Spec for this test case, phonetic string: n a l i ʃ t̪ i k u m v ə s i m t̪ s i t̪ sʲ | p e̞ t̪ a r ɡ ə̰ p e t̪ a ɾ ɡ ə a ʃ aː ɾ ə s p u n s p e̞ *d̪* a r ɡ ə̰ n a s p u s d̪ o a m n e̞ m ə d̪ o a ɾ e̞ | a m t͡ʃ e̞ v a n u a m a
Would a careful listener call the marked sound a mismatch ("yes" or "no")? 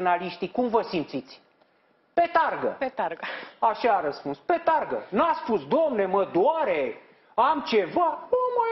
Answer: yes